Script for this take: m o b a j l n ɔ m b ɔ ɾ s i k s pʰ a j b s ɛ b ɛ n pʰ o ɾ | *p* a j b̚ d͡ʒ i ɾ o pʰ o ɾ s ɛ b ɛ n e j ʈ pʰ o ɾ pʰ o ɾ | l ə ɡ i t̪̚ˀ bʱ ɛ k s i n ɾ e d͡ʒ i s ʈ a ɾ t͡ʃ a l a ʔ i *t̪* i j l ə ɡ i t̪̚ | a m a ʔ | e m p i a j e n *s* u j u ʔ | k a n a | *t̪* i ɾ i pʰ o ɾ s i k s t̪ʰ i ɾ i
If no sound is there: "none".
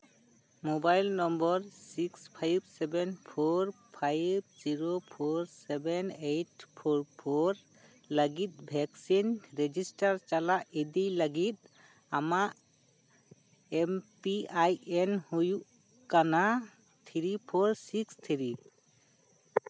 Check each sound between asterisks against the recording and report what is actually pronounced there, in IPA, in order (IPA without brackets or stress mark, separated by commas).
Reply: pʰ, d̪, h, t̪ʰ